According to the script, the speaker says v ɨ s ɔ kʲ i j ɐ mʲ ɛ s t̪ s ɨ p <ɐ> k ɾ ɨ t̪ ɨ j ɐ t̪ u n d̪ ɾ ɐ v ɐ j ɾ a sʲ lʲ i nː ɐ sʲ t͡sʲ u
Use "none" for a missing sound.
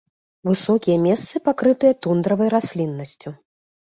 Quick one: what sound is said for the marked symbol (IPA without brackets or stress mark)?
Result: a